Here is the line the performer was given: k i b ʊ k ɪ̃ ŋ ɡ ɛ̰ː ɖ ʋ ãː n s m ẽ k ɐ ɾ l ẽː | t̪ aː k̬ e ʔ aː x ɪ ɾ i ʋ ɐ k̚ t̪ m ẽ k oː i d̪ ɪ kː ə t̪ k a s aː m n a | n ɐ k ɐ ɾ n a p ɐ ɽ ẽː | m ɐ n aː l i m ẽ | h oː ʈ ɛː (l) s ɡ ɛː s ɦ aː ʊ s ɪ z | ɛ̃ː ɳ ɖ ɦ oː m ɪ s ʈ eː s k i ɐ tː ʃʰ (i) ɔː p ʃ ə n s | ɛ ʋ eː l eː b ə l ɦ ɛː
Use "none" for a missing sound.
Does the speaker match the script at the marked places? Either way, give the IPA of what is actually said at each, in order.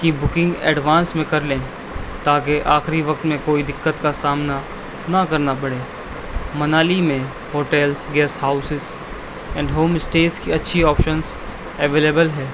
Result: l, i

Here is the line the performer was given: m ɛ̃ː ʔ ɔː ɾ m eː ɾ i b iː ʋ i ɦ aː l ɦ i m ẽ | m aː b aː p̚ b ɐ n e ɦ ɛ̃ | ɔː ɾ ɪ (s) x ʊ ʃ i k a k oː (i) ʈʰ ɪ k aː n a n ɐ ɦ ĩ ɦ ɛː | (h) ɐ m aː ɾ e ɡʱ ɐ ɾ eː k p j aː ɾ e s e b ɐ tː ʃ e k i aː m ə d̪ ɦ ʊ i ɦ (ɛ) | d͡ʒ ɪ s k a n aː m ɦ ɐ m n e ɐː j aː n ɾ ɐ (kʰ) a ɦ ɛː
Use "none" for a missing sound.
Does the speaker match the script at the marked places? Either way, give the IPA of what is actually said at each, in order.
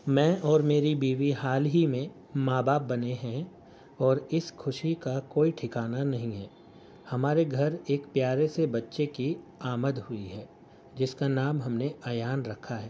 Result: s, i, h, ɛː, kʰ

